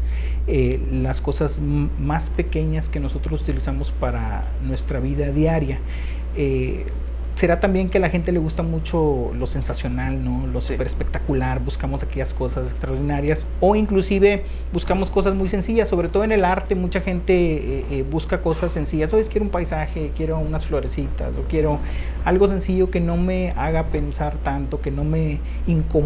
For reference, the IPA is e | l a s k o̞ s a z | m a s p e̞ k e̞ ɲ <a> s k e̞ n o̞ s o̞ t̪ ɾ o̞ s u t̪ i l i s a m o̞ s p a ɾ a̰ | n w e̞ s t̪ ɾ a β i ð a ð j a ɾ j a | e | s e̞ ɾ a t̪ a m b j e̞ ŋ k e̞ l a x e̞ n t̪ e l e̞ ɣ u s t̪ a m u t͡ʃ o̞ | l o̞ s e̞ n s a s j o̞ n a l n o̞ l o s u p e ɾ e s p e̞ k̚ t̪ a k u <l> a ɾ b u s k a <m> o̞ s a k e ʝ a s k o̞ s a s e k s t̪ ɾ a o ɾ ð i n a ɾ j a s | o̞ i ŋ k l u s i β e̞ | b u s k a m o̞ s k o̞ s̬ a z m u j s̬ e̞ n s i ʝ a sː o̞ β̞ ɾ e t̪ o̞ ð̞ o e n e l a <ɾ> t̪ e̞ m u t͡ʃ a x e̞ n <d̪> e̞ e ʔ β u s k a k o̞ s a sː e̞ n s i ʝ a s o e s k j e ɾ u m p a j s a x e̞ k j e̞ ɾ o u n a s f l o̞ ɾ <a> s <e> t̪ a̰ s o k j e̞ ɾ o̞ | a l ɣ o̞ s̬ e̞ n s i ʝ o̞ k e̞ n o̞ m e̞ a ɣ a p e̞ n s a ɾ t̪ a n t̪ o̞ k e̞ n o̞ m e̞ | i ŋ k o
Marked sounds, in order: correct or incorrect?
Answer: correct, correct, correct, correct, incorrect: t̪, incorrect: e, incorrect: i

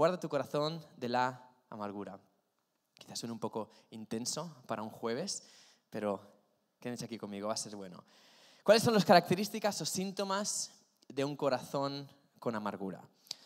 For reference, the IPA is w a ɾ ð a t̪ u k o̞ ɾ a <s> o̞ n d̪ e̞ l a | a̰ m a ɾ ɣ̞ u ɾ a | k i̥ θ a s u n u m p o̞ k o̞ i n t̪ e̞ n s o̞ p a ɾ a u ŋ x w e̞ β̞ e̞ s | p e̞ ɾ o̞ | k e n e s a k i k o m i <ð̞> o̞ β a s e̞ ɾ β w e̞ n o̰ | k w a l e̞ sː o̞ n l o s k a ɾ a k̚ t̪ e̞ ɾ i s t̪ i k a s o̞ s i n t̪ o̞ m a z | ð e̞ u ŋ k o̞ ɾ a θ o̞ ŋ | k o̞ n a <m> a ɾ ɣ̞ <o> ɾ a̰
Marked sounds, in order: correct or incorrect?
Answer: incorrect: θ, incorrect: ɣ̞, correct, incorrect: u

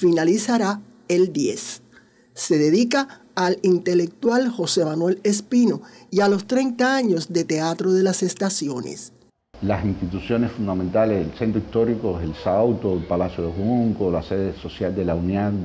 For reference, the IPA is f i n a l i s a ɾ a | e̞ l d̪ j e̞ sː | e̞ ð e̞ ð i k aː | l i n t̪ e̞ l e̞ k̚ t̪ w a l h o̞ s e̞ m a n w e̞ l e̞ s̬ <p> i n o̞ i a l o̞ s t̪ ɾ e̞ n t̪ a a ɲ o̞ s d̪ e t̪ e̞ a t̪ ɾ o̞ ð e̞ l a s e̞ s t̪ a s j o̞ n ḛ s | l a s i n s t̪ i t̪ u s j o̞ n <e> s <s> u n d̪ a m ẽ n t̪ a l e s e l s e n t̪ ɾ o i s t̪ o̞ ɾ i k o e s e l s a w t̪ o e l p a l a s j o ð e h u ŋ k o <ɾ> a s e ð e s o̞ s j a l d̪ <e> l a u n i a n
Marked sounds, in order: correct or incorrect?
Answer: correct, correct, incorrect: f, incorrect: l, correct

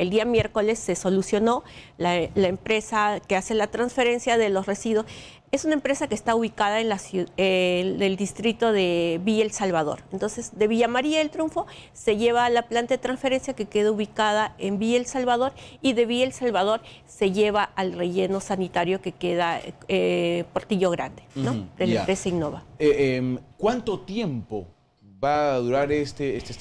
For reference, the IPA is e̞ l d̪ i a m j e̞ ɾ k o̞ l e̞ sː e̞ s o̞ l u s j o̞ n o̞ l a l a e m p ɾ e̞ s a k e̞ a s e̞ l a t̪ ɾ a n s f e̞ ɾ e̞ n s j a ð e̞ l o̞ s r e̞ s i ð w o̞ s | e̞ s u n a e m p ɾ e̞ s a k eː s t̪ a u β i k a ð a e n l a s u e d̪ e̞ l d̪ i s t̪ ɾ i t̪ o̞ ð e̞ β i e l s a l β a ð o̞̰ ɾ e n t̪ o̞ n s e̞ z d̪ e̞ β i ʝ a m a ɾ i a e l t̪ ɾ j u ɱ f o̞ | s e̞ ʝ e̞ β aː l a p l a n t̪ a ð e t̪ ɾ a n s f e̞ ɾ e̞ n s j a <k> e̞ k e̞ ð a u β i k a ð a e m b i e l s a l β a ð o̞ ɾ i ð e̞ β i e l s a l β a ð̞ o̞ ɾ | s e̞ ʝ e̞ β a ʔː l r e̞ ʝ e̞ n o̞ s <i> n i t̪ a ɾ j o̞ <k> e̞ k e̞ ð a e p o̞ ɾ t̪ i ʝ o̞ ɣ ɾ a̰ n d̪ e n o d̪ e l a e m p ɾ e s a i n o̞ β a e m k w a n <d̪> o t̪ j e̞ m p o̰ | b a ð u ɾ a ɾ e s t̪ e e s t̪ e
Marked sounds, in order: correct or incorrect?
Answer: correct, incorrect: a, correct, incorrect: t̪

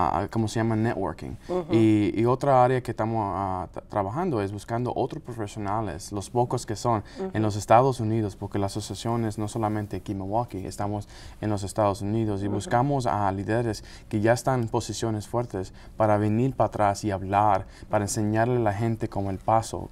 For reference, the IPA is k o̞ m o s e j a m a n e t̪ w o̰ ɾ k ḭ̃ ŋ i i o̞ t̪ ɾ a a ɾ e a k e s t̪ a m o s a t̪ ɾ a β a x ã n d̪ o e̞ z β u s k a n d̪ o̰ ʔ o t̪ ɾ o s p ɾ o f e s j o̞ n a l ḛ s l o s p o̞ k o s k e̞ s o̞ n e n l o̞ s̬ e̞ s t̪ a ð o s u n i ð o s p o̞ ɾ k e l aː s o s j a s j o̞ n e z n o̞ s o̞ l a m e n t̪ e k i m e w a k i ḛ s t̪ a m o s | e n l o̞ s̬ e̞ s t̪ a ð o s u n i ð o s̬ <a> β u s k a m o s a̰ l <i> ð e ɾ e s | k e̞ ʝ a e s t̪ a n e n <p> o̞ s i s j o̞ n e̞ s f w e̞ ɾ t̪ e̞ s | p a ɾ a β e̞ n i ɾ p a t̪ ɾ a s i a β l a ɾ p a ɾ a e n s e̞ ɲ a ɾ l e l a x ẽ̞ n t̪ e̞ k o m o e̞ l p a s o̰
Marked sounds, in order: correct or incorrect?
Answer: incorrect: i, correct, correct

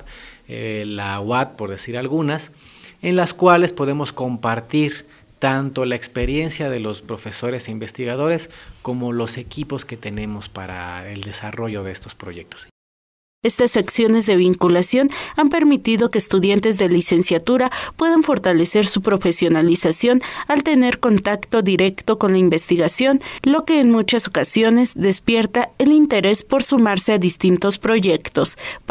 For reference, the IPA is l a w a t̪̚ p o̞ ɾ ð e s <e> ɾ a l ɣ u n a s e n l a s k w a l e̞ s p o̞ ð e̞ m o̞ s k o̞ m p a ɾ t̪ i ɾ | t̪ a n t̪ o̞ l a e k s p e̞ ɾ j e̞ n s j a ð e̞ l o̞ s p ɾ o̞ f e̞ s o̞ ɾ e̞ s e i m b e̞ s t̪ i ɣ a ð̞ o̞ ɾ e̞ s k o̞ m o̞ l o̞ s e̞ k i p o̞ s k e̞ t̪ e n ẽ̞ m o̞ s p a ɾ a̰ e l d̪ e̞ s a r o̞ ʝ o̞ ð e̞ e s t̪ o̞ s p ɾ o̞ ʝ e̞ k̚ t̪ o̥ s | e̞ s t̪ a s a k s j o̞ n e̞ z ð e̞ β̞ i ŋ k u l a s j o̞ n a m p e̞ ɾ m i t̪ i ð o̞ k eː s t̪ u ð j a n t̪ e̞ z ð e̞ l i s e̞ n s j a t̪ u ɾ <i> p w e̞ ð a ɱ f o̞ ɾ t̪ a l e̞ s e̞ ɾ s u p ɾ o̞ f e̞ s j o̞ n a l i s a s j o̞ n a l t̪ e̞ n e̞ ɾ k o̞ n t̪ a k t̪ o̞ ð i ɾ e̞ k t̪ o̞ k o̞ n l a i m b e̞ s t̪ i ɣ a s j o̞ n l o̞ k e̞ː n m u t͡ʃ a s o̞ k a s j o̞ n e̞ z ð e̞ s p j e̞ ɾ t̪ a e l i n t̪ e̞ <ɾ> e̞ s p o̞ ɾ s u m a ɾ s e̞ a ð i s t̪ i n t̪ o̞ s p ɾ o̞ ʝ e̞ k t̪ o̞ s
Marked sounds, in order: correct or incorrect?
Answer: incorrect: i, incorrect: a, correct

